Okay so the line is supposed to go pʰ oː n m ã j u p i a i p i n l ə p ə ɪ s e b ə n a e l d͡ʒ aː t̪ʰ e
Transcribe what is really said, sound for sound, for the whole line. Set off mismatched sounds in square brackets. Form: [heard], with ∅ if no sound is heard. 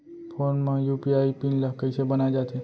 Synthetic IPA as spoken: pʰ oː n m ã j u p i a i p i n l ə [k] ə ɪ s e b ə n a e [∅] d͡ʒ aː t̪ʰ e

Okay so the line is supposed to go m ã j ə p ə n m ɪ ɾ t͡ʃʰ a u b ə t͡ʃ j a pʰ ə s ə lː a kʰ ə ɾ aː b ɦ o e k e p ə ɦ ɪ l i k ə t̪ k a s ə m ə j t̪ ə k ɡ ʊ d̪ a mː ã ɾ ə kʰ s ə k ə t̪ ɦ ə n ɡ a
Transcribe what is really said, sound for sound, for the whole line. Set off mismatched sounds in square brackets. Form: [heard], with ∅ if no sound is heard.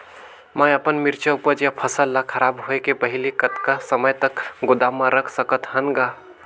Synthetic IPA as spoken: m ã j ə p ə n m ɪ ɾ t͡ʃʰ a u [p] ə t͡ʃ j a pʰ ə s ə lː a kʰ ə ɾ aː b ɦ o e k e p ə ɦ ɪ l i k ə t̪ k a s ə m ə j t̪ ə k ɡ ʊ d̪ a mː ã ɾ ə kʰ s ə k ə t̪ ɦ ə n ɡ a

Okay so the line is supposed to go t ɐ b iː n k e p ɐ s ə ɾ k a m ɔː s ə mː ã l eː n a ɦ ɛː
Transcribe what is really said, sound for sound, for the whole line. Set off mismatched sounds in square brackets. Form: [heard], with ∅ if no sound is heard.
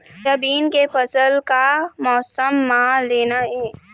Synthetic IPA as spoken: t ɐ b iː n k e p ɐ s ə [l] k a m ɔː s ə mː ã l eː n a ɦ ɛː

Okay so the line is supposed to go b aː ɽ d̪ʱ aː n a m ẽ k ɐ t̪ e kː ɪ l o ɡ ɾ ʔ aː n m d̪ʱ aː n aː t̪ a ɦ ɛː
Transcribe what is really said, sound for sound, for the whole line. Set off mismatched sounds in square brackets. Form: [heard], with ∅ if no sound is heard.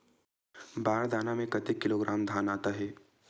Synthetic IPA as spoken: b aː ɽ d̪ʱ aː n a m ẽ k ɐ t̪ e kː ɪ l o ɡ ɾ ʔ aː [∅] m d̪ʱ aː n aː t̪ a ɦ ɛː

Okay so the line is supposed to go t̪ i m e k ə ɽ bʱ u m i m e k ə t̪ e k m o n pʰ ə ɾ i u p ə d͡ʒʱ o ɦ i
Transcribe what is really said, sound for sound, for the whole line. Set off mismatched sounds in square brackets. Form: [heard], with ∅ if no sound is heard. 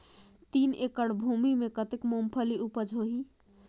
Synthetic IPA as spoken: t̪ i [n] e k ə ɽ bʱ u m i m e k ə t̪ e k m o [m] pʰ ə [l] i u p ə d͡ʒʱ o ɦ i

